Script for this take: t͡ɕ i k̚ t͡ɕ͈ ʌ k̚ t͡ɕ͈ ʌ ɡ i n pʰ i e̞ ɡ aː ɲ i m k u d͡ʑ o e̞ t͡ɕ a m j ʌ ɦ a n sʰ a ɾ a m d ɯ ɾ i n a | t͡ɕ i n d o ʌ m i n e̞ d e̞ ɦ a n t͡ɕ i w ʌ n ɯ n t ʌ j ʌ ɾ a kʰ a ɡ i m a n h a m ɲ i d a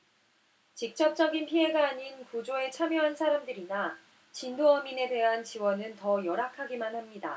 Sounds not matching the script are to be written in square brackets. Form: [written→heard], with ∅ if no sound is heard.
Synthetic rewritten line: t͡ɕ i k̚ t͡ɕ͈ ʌ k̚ t͡ɕ͈ ʌ ɡ i n pʰ i e̞ ɡ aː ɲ i [m→n] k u d͡ʑ o e̞ [t͡ɕ→t͡ɕʰ] a m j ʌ ɦ a n sʰ a ɾ a m d ɯ ɾ i n a | t͡ɕ i n d o ʌ m i n e̞ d e̞ ɦ a n t͡ɕ i w ʌ n ɯ n t ʌ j ʌ ɾ a kʰ a ɡ i m a n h a m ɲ i d a